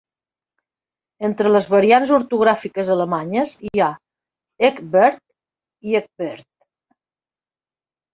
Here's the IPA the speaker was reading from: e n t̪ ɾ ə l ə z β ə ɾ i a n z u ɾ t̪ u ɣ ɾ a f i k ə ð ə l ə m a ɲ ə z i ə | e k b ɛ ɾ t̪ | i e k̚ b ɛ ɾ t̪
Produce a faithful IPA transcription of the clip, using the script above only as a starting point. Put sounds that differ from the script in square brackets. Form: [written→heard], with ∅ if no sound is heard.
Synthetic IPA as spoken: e n t̪ ɾ ə l ə z β ə ɾ i a n z u ɾ t̪ u ɣ ɾ a f i k ə [ð→z] ə l ə m a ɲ ə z i [ə→a] | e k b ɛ ɾ t̪ | i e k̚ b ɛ ɾ t̪